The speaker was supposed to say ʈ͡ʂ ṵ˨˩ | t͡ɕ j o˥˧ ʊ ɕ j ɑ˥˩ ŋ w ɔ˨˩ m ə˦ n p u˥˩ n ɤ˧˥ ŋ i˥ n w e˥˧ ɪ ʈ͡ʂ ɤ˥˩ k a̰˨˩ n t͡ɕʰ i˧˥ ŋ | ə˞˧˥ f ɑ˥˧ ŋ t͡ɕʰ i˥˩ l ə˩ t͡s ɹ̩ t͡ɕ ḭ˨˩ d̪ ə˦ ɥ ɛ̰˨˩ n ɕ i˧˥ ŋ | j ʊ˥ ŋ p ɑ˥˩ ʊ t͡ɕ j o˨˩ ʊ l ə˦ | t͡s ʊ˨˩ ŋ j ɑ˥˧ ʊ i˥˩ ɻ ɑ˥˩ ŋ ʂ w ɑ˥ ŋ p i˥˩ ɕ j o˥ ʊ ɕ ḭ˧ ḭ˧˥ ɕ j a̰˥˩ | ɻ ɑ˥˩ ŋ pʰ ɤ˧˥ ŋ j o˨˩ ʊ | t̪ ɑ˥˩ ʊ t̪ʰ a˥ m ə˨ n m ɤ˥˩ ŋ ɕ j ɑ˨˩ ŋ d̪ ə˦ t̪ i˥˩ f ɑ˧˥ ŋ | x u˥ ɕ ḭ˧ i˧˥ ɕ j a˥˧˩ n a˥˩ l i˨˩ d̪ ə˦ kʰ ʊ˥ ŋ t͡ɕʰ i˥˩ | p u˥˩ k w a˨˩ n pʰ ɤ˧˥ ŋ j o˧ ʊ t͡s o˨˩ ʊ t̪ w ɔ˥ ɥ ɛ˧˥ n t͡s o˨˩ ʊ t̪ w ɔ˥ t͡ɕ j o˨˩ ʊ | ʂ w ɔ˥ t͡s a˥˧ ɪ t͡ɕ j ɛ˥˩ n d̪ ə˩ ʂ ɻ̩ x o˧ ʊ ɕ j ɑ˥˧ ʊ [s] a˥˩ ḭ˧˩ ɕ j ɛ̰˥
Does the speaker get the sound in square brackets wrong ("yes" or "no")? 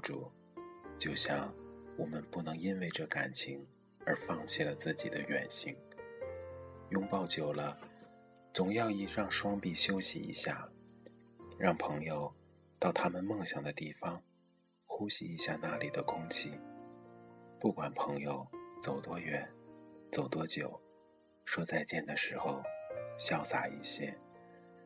no